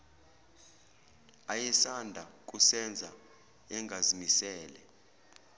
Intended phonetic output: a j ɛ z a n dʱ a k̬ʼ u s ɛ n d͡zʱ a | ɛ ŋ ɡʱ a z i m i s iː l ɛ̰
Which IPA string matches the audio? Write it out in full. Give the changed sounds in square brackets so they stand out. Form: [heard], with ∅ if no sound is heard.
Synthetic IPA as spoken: a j ɛ [s] a n dʱ a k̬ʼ u s ɛ n d͡zʱ a | ɛ ŋ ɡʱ a z i m i s [ɛː] l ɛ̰